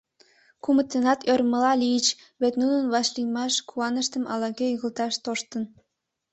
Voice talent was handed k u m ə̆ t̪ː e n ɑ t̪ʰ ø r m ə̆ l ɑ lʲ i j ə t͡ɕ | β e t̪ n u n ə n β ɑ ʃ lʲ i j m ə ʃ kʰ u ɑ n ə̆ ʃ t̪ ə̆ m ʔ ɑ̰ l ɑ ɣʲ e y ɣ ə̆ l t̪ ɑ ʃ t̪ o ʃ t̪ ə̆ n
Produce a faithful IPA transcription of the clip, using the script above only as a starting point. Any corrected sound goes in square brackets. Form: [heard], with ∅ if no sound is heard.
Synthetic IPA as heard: k u m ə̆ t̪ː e n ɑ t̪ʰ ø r m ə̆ l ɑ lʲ i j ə t͡ɕ | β e t̪ n u n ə n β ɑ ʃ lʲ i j m [ɑ] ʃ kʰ u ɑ n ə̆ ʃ t̪ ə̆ m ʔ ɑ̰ l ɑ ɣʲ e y ɣ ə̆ l t̪ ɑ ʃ t̪ o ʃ t̪ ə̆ n